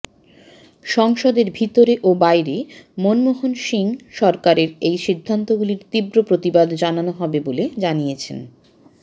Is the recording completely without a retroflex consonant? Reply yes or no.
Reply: yes